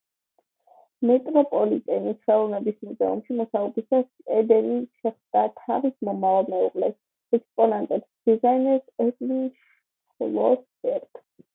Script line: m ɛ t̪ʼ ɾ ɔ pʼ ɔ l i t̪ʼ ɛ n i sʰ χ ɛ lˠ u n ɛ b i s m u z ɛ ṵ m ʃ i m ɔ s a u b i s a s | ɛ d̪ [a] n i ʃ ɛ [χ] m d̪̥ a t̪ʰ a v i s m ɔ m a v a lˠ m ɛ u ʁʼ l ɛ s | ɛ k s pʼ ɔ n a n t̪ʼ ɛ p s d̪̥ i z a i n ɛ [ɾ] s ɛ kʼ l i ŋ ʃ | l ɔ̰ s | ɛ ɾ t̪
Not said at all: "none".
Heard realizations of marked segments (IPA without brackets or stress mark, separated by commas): ɛ, χ, ɾ